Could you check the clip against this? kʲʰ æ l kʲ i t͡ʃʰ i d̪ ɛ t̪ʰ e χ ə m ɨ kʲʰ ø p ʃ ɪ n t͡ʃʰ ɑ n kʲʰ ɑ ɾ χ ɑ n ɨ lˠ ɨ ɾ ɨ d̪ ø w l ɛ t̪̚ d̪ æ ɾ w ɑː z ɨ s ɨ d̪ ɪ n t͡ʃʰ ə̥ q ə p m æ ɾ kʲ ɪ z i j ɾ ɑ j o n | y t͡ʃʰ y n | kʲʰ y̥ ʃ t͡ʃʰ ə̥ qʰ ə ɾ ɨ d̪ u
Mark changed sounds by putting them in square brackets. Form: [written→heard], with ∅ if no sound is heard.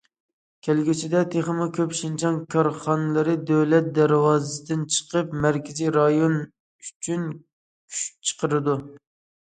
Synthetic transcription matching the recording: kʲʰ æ l [kʲ→ɡʲ] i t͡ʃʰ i d̪ ɛ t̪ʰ e χ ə m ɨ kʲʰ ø p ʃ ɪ n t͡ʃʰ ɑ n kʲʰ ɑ ɾ χ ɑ n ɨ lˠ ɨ ɾ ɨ d̪ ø w l ɛ t̪̚ d̪ æ ɾ w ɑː z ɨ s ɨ d̪ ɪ n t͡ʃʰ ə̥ q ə p m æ ɾ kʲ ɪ z i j ɾ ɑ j o n | y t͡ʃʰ y n | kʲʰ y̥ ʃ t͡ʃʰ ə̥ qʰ ə ɾ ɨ d̪ u